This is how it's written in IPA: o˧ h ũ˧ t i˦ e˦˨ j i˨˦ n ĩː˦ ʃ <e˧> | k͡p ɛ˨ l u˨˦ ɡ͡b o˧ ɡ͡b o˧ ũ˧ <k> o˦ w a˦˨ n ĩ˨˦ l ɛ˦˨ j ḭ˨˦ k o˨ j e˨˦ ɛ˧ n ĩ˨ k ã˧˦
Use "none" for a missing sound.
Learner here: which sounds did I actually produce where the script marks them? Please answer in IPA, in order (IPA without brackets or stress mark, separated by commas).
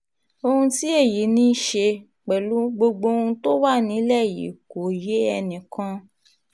e˧, t